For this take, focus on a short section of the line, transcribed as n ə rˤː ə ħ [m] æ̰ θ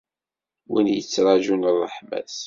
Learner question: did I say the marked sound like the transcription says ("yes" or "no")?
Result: yes